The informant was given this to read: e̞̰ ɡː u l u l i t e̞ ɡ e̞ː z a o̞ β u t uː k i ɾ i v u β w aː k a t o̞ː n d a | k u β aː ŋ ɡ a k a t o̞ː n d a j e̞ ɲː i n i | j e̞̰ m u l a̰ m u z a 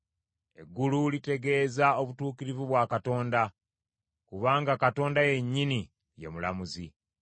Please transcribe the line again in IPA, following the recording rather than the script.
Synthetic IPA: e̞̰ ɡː u l u l i t e̞ ɡ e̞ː z a o̞ β u t uː k i ɾ i v u β w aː k a t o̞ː n d a | k u β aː ŋ ɡ a k a t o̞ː n d a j e̞ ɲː i n i | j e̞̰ m u l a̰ m u z i